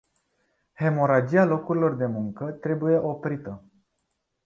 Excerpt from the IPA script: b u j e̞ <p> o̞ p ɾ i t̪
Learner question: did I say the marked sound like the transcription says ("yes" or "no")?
no